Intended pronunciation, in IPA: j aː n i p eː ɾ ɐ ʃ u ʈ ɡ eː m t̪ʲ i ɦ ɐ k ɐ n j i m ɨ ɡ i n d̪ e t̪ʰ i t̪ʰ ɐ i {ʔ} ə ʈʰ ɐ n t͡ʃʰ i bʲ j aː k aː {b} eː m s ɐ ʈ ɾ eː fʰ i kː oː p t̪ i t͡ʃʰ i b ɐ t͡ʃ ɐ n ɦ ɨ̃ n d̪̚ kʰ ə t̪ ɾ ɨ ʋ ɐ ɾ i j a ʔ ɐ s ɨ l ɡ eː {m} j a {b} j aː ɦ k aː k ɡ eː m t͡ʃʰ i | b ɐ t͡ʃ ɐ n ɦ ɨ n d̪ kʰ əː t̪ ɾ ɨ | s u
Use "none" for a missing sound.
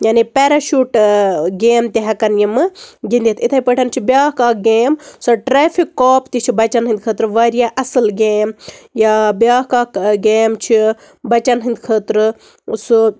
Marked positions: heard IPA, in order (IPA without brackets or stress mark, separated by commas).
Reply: p, ɡ, m, b